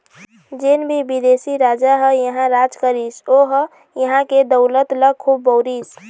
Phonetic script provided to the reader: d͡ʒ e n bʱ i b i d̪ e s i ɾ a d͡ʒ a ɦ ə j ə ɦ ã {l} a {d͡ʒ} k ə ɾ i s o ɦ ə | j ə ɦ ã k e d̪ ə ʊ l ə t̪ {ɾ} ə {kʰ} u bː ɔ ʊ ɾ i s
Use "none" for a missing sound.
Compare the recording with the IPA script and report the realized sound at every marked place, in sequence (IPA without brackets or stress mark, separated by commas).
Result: ɾ, d͡ʒ, l, kʰ